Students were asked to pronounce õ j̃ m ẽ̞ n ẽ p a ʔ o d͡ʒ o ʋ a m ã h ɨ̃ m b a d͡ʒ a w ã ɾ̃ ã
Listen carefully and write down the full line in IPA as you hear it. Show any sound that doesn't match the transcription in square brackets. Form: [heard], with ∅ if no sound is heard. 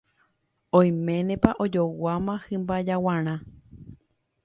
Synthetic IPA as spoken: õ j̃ m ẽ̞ n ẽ p a ʔ o d͡ʒ o [w] a m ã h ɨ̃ m b a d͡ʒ a w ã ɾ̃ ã